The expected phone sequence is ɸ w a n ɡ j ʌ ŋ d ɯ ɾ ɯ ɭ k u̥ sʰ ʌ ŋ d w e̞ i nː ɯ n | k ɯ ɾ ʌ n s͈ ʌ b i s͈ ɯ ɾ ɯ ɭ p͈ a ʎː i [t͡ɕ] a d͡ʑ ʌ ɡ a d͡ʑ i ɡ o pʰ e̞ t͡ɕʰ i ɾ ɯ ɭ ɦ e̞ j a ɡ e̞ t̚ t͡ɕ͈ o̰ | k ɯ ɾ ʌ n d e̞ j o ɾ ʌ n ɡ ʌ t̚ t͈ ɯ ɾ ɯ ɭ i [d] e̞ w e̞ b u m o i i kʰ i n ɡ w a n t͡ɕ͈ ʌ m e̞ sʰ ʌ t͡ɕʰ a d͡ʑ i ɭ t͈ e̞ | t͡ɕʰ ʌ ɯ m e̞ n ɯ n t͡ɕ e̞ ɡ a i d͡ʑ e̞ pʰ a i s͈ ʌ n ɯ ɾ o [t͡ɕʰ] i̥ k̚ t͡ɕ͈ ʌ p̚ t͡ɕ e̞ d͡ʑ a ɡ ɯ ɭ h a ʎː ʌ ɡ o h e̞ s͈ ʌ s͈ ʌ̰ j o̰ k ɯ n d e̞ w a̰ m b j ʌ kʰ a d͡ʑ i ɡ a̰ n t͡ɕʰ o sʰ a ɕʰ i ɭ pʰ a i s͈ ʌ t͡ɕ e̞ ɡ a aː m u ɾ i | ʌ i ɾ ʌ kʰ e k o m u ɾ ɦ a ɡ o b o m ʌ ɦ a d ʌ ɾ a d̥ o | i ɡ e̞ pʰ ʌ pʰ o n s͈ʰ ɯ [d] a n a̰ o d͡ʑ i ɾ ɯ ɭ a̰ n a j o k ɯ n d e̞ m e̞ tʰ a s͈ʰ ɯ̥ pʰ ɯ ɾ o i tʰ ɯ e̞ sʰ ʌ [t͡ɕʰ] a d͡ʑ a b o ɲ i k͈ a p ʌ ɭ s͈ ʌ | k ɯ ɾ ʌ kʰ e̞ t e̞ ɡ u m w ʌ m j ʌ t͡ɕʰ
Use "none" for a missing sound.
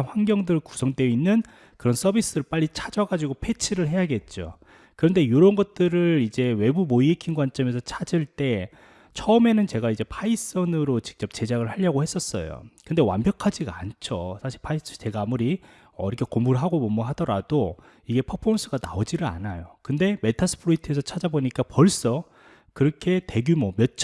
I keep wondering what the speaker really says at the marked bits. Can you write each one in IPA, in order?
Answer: t͡ɕʰ, d͡ʑ, t͡ɕ, ɡ, t͡ɕʰ

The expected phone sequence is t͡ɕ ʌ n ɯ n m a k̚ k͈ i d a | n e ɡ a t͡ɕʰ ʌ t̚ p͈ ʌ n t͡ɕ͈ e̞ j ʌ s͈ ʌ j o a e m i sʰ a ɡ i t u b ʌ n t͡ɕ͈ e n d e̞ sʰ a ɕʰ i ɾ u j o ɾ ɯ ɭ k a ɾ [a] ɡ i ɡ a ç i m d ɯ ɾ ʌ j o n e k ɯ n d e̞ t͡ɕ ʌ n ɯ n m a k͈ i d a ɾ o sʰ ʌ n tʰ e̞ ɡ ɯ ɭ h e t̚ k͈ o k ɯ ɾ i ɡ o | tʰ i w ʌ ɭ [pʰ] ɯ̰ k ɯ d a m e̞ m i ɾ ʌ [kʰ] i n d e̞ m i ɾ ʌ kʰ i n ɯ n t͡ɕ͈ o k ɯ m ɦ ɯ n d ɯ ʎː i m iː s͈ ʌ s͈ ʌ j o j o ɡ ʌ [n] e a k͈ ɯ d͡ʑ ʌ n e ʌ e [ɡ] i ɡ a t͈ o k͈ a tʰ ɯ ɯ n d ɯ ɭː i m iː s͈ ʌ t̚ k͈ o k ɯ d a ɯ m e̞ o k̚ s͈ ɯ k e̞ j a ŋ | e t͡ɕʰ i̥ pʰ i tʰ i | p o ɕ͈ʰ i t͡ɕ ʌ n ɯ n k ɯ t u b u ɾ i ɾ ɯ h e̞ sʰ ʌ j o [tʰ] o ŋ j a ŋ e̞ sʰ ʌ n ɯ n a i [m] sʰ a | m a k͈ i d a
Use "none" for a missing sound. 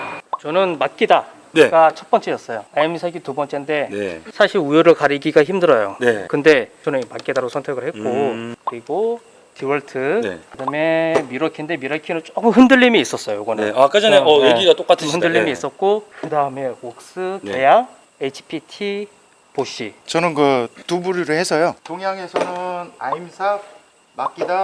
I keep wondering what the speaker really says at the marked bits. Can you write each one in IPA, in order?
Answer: i, tʰ, kʰ, n, ɡ, t, m

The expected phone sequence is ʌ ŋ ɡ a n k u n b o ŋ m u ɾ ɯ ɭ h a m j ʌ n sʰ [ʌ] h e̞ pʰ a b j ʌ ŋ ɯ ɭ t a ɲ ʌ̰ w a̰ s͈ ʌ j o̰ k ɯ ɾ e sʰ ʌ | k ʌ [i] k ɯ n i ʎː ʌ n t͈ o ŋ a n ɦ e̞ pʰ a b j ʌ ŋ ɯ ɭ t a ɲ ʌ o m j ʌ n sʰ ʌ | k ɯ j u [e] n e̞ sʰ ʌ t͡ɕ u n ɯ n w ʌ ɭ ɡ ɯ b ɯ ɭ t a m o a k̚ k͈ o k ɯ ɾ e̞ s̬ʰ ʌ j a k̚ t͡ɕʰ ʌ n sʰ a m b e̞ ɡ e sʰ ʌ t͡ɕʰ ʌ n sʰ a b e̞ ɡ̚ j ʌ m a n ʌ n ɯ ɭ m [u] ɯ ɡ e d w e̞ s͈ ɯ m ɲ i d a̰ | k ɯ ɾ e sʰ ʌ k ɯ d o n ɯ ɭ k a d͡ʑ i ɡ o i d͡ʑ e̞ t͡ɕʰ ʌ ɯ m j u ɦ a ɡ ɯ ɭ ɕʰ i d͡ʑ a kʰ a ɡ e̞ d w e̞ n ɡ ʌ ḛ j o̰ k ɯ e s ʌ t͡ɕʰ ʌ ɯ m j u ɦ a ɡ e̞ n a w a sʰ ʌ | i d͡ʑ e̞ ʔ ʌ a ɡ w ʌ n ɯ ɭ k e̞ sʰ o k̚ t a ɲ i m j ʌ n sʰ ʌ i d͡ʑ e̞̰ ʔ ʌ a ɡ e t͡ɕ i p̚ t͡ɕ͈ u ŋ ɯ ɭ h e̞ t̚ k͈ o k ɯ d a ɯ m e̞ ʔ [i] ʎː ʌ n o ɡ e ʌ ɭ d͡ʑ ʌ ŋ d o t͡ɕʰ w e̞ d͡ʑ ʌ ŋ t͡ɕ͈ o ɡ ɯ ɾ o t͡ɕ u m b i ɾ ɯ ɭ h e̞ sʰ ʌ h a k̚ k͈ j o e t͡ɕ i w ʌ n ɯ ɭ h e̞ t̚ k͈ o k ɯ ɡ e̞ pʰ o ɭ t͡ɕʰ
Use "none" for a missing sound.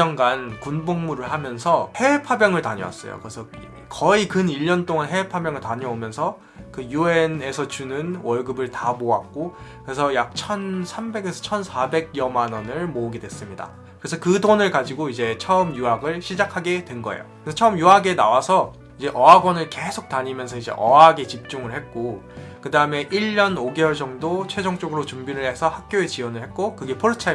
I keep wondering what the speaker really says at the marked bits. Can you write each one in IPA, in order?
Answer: ʌ, i, e, o, i

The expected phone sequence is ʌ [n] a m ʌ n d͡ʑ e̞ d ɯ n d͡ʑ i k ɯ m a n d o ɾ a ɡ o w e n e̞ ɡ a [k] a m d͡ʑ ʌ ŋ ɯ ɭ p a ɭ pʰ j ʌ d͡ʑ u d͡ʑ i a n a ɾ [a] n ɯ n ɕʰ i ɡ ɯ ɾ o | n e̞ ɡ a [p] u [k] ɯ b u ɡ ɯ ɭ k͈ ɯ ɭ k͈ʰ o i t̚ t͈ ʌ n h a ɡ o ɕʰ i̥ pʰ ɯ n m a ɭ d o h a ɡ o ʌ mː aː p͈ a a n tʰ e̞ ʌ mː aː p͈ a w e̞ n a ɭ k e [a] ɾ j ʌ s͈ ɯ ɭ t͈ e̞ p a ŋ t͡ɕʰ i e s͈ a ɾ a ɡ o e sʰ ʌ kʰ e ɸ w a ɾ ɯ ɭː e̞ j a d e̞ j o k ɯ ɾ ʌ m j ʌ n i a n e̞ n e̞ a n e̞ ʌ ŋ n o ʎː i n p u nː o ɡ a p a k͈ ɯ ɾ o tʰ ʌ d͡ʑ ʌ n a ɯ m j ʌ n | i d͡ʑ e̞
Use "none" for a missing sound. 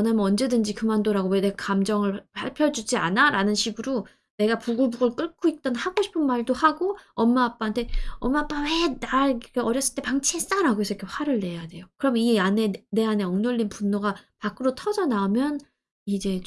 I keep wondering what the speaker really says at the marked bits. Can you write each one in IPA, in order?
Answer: n, k, a, p, ɡ, ʌ

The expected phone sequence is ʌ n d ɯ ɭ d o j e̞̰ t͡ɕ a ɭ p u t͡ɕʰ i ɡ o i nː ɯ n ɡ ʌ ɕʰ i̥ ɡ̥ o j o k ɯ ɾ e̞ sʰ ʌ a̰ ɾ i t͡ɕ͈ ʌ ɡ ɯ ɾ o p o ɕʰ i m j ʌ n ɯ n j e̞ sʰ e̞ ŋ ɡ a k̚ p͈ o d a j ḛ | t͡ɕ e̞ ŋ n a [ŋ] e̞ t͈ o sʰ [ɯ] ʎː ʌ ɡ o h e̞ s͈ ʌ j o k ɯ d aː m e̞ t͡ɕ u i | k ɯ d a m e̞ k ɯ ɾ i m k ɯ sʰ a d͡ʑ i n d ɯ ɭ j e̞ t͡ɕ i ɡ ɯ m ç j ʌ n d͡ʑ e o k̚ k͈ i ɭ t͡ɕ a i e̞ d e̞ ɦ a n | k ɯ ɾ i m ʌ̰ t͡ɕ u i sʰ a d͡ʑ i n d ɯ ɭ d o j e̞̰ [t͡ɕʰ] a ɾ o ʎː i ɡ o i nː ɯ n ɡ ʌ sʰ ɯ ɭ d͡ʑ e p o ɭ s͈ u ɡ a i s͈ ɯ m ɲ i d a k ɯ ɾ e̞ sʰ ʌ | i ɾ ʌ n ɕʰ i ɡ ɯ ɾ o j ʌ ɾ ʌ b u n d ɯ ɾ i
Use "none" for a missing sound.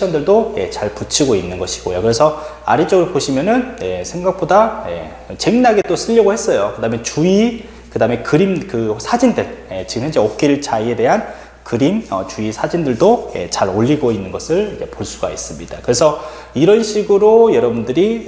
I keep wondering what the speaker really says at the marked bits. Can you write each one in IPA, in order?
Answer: ɡ, ɯ, t͡ɕ

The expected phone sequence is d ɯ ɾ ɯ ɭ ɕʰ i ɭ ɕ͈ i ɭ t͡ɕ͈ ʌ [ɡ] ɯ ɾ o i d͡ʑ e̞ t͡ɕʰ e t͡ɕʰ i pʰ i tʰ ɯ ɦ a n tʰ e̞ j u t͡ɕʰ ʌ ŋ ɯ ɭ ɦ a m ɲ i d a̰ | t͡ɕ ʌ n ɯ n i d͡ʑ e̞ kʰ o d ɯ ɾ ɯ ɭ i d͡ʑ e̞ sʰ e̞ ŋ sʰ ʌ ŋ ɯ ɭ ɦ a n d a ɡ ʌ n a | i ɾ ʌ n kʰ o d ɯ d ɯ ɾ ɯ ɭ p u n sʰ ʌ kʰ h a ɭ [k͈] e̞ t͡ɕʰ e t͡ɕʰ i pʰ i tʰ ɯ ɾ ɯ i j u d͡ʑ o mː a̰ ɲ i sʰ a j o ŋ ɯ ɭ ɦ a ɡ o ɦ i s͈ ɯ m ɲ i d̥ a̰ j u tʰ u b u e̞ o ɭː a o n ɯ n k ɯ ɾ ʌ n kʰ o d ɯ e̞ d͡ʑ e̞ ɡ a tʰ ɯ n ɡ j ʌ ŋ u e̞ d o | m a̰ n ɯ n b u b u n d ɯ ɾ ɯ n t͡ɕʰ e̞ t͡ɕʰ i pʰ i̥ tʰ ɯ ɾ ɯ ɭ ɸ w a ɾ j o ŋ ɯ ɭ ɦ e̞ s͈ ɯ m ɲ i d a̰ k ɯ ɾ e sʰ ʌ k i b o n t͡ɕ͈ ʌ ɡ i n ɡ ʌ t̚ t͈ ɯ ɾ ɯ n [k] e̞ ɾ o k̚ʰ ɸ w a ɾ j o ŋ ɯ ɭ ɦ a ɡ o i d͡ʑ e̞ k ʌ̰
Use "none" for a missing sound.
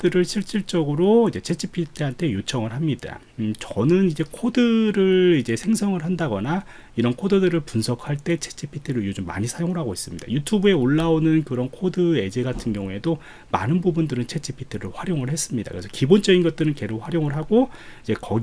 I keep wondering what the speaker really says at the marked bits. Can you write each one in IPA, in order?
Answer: ɡ, t͈, k

